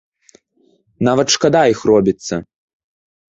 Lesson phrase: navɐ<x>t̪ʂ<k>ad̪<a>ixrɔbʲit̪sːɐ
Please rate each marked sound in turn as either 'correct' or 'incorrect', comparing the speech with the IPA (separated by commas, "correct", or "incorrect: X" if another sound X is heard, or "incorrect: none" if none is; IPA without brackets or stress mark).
incorrect: none, correct, correct